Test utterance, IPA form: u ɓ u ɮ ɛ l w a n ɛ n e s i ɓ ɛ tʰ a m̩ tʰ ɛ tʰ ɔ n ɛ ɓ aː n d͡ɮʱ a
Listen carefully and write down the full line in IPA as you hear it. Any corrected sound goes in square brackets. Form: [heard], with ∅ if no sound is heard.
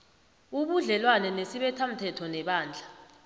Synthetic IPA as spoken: u ɓ u ɮ ɛ l w a n ɛ n e s i ɓ ɛ tʰ a m̩ tʰ ɛ tʰ ɔ n ɛ ɓ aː n d͡ɮʱ a